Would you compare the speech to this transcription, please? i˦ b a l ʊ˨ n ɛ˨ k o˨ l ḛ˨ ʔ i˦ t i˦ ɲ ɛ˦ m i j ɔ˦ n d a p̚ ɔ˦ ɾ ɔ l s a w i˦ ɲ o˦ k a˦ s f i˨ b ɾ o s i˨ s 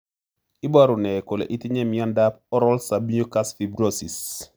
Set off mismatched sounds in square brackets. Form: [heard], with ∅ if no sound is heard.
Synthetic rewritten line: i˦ b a [ɾ] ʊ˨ n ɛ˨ k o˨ l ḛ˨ ʔ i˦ t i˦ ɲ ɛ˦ m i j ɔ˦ n d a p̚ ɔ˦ ɾ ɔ l s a [b] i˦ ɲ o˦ k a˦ s f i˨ b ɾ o s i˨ s